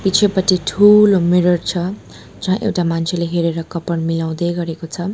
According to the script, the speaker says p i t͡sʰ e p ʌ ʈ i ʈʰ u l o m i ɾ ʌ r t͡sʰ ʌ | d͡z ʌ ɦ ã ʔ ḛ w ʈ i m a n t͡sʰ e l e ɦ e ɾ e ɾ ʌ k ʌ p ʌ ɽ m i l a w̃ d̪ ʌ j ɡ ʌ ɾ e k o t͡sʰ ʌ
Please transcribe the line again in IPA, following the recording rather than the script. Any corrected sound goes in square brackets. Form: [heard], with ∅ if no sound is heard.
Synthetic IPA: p i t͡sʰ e p ʌ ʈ i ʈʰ u l o m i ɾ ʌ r t͡sʰ ʌ | d͡z ʌ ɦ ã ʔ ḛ w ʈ [a] m a n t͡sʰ e l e ɦ e ɾ e ɾ ʌ k ʌ p ʌ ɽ m i l a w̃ d̪ ʌ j ɡ ʌ ɾ e k o t͡sʰ ʌ